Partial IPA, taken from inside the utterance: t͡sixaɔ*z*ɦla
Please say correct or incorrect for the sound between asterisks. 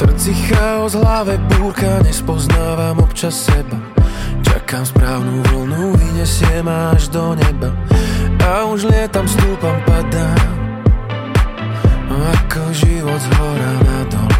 correct